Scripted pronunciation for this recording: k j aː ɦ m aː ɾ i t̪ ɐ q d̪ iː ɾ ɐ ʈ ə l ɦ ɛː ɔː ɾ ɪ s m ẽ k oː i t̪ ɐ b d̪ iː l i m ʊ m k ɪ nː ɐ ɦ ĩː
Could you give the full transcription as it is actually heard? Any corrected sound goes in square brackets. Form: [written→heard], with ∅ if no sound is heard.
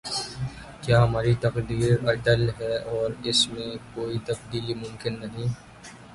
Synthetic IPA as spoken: k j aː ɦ m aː ɾ i t̪ ɐ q d̪ iː ɾ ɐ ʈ ə l ɦ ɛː ɔː ɾ ɪ s m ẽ k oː i t̪ ɐ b d̪ iː l i m ʊ m k ɪ nː ɐ ɦ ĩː